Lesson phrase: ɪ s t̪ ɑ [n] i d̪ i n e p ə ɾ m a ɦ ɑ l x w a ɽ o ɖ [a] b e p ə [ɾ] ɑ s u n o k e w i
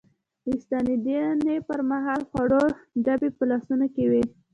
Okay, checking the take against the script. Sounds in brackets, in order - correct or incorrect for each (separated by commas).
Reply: correct, correct, incorrect